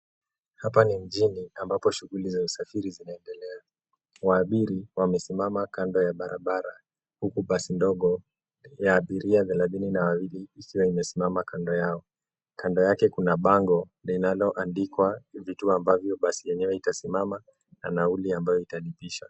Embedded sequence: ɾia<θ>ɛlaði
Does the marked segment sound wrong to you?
yes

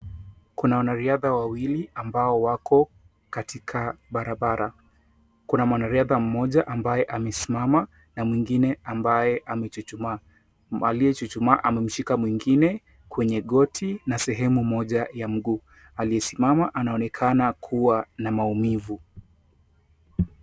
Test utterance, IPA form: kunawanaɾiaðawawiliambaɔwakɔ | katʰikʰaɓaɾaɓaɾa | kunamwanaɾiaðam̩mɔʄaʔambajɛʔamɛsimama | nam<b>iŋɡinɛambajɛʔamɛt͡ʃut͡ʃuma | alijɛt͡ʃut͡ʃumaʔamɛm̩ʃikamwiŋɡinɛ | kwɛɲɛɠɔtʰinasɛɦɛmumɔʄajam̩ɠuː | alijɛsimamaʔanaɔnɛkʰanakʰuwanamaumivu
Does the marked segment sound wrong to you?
yes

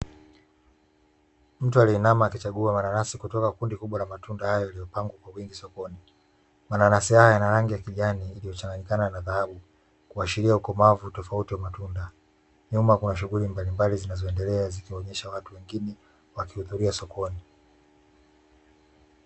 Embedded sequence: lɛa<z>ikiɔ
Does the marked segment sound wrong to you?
no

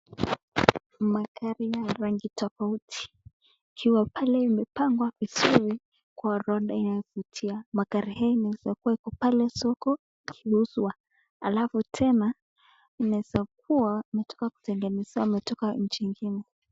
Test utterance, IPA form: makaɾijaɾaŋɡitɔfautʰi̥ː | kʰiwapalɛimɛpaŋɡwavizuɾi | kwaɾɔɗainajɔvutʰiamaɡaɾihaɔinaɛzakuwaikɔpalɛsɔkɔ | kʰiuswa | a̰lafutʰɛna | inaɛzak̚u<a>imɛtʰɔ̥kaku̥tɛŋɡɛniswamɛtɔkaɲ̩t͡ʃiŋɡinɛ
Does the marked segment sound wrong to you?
no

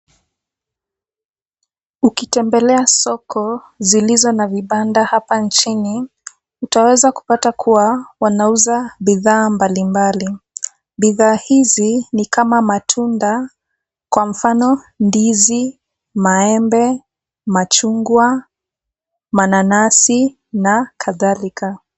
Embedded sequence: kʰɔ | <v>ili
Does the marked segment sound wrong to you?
yes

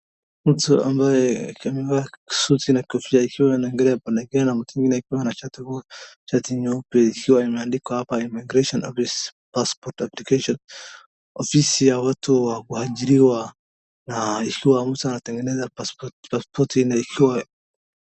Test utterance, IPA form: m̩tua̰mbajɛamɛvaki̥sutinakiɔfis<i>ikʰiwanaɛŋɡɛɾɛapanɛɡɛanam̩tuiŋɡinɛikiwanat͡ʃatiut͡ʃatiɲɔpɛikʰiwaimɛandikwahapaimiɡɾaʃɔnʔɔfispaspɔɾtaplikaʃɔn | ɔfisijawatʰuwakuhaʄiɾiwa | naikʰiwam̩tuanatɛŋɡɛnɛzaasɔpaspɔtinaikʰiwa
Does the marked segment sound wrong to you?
yes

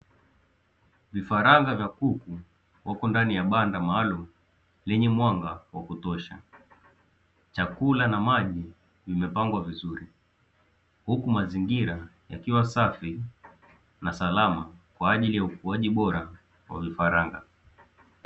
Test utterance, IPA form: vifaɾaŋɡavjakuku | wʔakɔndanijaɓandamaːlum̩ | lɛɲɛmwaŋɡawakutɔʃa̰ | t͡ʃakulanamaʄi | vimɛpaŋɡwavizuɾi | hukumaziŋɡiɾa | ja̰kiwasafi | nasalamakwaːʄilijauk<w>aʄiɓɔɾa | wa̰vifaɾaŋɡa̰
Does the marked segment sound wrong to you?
yes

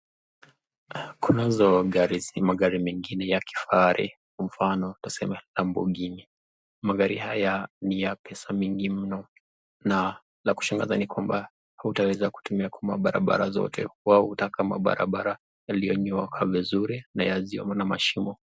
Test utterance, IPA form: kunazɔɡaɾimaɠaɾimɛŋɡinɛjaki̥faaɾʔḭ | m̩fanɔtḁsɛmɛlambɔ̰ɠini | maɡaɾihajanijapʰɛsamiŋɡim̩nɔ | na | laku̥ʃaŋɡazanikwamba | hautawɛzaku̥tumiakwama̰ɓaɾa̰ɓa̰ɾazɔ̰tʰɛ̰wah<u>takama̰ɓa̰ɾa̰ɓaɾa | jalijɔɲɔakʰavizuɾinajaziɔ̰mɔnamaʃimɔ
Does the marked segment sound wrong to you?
no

